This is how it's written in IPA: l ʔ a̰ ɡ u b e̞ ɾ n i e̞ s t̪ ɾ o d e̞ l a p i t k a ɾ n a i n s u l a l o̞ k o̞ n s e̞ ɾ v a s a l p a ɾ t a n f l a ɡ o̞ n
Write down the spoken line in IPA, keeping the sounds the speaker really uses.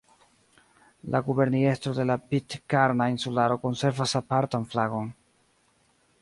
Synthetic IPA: l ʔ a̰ ɡ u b e̞ ɾ n i e̞ s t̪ ɾ o d e̞ l a p i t k a ɾ n a i n s u l a ɾ o̞ k o̞ n s e̞ ɾ v a s a p a ɾ t a n f l a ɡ o̞ n